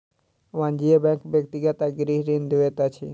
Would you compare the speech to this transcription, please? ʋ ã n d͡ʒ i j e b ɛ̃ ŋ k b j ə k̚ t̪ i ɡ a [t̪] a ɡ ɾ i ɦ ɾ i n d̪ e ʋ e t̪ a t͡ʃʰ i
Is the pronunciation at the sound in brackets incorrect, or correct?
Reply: correct